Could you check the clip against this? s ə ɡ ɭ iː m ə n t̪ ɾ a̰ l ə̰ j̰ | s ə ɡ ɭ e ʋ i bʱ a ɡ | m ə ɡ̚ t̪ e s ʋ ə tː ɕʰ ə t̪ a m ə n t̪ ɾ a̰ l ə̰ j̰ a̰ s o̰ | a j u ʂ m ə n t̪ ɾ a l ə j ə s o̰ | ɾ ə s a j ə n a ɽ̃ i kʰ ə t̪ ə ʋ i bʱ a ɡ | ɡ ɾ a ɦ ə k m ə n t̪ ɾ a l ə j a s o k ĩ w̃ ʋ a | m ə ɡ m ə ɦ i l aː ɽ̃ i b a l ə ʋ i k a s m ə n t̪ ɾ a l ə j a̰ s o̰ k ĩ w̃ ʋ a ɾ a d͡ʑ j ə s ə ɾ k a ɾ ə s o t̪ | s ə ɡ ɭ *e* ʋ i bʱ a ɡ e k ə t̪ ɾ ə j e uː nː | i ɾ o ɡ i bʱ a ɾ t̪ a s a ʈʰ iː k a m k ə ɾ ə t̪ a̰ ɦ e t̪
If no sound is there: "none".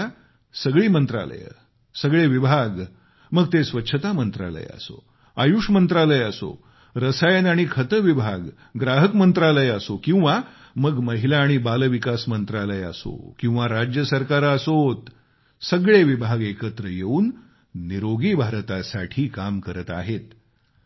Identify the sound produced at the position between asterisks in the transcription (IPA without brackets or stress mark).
e